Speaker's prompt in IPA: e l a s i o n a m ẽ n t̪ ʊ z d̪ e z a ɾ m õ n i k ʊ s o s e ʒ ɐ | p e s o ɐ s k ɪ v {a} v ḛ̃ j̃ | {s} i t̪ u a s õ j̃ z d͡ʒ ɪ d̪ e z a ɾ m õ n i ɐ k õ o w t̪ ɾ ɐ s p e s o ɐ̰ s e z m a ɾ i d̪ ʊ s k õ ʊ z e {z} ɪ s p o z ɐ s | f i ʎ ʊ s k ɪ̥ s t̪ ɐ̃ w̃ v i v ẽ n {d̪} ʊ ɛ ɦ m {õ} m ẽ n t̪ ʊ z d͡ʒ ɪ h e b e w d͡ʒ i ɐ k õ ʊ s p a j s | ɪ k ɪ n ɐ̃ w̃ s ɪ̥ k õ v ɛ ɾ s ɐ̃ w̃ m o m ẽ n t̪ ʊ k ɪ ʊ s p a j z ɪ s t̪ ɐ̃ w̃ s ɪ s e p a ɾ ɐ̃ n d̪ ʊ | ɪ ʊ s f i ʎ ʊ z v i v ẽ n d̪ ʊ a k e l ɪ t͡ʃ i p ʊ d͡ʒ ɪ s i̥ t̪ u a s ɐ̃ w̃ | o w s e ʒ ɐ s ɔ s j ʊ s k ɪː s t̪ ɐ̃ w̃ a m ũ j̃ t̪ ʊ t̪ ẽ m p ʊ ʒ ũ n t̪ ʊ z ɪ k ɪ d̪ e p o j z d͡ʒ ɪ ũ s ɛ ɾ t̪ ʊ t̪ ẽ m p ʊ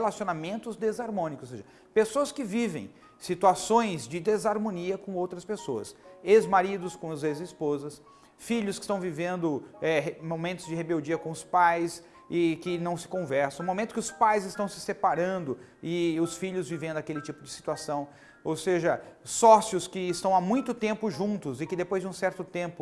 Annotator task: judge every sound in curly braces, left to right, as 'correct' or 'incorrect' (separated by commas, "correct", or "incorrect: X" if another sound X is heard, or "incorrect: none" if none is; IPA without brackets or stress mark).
incorrect: i, correct, correct, correct, incorrect: o